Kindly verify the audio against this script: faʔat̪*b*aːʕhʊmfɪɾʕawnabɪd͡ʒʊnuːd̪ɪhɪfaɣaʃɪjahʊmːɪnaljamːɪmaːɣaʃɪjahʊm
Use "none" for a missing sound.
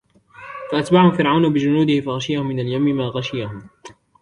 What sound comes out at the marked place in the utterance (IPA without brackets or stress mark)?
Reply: b